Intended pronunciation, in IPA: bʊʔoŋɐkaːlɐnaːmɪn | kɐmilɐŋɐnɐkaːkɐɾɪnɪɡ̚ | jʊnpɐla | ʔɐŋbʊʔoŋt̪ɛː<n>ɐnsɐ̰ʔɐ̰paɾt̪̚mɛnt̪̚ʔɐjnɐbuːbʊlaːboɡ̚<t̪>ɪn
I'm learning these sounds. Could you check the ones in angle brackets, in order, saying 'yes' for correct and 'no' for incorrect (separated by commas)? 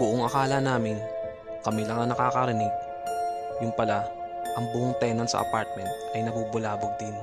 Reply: yes, no